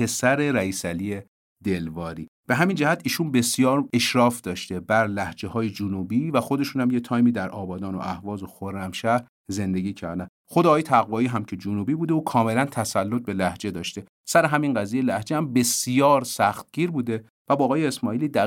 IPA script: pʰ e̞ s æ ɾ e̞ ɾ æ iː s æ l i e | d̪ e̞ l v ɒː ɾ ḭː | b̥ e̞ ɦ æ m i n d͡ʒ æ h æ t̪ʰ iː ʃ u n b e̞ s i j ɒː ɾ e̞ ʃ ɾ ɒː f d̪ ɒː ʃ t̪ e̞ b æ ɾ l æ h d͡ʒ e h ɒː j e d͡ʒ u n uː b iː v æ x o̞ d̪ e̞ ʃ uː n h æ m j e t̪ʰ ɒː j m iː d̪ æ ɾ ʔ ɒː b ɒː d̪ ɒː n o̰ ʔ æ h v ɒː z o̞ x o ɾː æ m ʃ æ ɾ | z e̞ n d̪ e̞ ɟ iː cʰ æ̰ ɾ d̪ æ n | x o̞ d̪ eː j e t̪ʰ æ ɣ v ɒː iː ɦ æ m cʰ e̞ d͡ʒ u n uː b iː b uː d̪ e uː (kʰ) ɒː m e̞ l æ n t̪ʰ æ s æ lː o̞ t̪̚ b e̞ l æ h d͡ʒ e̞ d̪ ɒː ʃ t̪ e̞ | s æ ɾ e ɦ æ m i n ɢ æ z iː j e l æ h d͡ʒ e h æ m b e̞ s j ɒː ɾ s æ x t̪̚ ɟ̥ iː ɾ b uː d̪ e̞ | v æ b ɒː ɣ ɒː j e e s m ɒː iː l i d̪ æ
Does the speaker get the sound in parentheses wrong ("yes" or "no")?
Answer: no